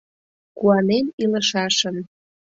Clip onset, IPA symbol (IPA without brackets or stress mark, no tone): k